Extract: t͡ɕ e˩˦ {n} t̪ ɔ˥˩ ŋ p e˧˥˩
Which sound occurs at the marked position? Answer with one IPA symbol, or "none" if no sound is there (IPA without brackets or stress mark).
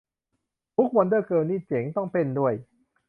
ŋ